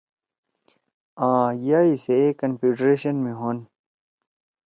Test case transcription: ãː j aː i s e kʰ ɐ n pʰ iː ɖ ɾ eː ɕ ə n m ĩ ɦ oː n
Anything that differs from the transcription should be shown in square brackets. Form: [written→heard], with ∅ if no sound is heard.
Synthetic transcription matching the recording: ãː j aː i s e [kʰ→k] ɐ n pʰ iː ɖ ɾ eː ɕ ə n m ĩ ɦ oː n